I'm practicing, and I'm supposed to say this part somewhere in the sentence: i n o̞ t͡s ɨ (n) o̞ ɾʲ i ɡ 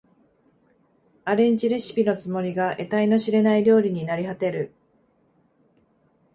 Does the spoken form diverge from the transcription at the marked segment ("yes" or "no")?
yes